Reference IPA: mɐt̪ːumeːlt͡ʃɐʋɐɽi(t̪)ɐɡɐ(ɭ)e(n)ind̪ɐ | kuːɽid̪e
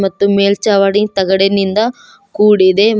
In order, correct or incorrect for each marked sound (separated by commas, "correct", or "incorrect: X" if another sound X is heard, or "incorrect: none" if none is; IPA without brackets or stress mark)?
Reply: correct, incorrect: ɽ, correct